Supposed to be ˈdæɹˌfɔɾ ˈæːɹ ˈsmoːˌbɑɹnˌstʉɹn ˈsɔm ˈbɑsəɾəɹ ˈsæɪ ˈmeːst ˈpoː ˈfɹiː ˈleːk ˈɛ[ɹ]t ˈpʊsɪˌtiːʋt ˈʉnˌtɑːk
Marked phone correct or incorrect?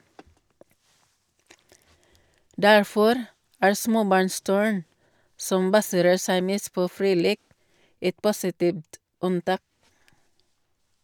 incorrect